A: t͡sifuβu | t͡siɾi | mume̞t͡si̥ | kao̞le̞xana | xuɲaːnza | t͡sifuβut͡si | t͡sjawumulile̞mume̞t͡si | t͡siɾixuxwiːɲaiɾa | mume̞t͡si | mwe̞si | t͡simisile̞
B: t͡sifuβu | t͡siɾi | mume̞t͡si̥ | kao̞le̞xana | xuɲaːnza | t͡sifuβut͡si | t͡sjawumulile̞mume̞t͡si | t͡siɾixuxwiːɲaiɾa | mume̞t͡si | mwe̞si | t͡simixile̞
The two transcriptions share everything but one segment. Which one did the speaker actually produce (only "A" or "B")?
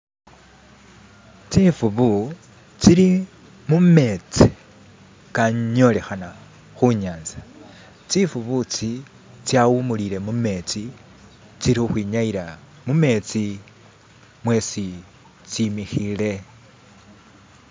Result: B